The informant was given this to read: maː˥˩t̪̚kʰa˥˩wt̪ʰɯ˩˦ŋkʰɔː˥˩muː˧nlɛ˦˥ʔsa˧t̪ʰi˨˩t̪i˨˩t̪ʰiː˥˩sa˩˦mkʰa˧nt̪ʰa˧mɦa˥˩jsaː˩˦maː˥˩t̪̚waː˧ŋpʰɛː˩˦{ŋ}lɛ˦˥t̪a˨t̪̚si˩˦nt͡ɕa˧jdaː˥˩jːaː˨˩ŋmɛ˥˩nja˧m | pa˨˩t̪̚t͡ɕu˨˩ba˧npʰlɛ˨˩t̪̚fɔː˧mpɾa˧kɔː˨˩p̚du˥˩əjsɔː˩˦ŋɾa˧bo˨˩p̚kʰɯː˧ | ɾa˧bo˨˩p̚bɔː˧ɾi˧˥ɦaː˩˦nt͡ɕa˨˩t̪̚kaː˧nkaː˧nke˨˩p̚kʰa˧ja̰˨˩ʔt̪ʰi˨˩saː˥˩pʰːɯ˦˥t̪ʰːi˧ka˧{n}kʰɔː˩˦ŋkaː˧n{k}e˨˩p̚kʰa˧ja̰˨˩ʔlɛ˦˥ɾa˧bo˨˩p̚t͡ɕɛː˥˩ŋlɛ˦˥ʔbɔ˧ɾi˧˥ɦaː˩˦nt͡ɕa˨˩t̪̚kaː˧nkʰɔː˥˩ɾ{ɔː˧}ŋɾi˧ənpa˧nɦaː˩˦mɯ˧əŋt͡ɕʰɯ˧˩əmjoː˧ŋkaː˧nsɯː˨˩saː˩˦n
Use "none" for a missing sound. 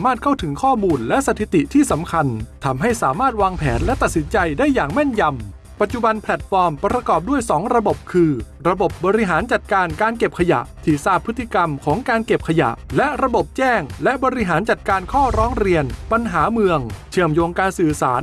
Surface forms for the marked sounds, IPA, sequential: n, m, k, ɔː˦˥

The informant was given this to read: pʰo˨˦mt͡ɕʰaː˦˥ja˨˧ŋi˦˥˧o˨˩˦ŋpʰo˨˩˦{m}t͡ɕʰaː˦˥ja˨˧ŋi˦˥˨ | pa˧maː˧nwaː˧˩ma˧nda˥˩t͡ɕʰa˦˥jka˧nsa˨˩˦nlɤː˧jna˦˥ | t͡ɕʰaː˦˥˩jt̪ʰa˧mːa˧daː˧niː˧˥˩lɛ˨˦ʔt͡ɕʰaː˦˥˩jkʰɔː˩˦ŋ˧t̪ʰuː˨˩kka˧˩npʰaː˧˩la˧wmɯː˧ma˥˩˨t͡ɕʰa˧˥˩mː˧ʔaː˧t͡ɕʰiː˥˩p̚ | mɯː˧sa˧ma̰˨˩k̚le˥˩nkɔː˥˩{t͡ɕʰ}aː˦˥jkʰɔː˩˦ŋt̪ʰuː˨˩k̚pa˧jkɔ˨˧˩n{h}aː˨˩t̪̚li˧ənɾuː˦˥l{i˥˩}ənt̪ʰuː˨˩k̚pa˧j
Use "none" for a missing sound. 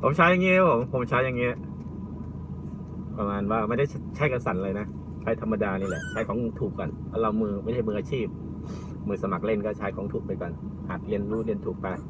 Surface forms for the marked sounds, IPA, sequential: m, t͡ɕʰ, h, i˧

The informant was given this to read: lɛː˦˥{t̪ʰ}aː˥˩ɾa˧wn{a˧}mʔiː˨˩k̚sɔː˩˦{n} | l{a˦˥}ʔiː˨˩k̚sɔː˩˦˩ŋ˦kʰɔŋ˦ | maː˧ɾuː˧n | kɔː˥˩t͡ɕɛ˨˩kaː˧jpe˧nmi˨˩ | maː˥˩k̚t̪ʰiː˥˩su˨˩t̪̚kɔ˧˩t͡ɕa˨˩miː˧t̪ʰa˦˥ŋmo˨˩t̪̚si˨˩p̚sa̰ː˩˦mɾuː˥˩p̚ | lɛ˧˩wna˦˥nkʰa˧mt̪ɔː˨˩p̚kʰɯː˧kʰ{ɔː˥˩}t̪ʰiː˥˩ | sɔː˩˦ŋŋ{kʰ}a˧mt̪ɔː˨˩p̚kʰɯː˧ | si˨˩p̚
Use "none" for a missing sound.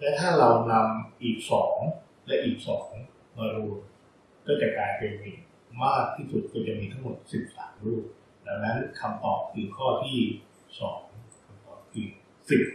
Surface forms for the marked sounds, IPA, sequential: t̪ʰ, a˧, ŋ, ɛ˦˥, ɔː˥˩, kʰ

